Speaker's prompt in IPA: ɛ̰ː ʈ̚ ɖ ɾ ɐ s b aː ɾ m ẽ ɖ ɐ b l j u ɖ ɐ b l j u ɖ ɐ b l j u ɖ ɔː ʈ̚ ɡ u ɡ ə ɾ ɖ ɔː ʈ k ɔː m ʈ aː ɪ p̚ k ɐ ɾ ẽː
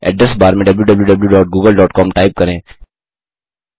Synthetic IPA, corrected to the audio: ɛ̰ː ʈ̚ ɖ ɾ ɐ s b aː ɾ m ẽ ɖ ɐ b l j u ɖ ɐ b l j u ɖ ɐ b l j u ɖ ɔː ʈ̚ ɡ uː ɡ ə l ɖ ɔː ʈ k ɔː m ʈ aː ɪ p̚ k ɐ ɾ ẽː